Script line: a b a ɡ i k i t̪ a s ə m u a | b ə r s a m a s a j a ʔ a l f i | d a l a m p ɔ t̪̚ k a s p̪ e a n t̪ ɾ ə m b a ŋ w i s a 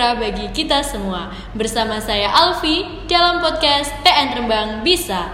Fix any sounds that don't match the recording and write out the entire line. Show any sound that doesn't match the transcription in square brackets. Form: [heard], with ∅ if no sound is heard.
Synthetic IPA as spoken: a b a ɡ i k i t̪ a s ə m u a | b ə r s a m a s a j a ʔ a l f i | d a l a m p ɔ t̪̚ k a s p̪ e [ɛ] n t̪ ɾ ə m b a ŋ [b] i s a